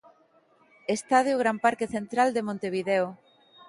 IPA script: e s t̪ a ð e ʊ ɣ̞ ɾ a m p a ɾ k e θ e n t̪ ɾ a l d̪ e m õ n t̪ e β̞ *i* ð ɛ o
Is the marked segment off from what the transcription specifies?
no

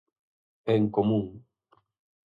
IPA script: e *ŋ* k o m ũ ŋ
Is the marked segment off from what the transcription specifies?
no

